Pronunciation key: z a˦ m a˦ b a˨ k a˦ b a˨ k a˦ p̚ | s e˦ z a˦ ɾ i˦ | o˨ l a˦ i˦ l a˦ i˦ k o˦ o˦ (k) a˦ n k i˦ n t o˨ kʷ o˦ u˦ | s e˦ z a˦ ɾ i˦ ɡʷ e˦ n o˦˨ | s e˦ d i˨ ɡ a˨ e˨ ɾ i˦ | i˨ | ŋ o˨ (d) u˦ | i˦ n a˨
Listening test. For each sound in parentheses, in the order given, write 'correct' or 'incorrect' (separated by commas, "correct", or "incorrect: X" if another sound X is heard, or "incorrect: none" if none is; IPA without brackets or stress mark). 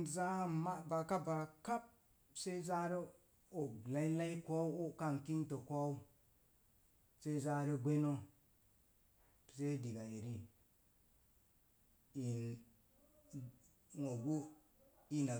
correct, incorrect: ɡ